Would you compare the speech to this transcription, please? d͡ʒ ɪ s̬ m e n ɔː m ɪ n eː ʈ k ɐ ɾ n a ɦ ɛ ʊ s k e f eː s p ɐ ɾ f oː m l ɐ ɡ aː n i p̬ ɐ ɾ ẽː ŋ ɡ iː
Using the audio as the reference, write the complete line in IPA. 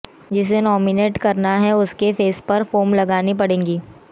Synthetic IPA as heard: d͡ʒ ɪ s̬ m e n ɔː m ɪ n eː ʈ k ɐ ɾ n a ɦ ɛ ʊ s k e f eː s p ɐ ɾ f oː m l ɐ ɡ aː n i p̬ ɐ ɽ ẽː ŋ ɡ iː